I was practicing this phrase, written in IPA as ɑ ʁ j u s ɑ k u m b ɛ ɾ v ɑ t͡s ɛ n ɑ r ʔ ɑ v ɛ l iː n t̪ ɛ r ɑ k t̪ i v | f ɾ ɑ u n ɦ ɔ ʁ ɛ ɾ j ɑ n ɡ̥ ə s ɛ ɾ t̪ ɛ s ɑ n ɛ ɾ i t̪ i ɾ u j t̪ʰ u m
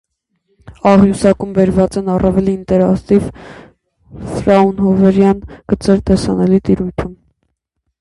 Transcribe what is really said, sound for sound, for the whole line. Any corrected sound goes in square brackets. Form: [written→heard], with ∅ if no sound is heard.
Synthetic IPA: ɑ ʁ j u s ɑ k u m b ɛ ɾ v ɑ t͡s ɛ n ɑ r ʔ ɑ v ɛ l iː n t̪ ɛ [r→ɾ] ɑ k t̪ i v | f ɾ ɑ u n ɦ ɔ [ʁ→v] ɛ ɾ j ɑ n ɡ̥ ə [s→t͡s] ɛ ɾ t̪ ɛ s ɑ n ɛ [ɾ→l] i t̪ i ɾ u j t̪ʰ u m